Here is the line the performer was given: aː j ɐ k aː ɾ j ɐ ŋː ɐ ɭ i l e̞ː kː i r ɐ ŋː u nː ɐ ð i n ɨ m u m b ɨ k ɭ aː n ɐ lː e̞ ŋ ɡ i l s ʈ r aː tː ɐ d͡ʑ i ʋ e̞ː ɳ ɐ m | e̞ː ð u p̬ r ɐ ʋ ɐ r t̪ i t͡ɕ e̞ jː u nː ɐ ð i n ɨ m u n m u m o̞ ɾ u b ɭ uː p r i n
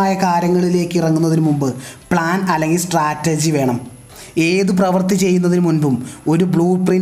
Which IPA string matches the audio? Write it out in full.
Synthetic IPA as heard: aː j ɐ k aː ɾ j ɐ ŋː ɐ ɭ i l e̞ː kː i r ɐ ŋː u nː ɐ ð i n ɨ m u m b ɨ p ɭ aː n ɐ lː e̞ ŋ ɡ i l s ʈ r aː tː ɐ d͡ʑ i ʋ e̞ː ɳ ɐ m | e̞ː ð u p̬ r ɐ ʋ ɐ r t̪ i t͡ɕ e̞ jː u nː ɐ ð i n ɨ m u n b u m o̞ ɾ u b ɭ uː p r i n